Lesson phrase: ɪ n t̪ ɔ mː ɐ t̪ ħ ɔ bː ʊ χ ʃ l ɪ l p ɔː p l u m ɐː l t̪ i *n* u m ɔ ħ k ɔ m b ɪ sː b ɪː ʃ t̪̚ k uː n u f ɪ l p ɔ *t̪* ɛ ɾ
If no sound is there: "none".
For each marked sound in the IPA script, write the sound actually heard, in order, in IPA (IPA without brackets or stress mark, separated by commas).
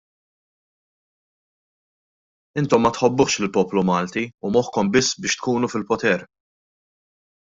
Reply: none, t̪